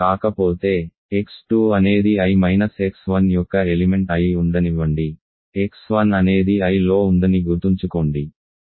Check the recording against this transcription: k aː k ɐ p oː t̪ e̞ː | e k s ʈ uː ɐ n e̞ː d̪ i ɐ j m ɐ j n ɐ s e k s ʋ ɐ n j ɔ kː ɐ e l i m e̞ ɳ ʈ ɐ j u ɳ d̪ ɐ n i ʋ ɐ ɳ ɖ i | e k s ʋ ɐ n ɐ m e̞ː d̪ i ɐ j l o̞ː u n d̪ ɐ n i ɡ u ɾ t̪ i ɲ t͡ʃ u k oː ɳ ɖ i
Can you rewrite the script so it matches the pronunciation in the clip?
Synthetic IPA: k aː k ɐ p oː t̪ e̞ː | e k s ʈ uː ɐ n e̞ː d̪ i ɐ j m ɐ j n ɐ s e k s ʋ ɐ n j ɔ kː ɐ e l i m e̞ ɳ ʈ ɐ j u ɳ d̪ ɐ n i ʋ ɐ ɳ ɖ i | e k s ʋ ɐ n ɐ n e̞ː d̪ i ɐ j l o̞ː u n d̪ ɐ n i ɡ u ɾ t̪ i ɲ t͡ʃ u k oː ɳ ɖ i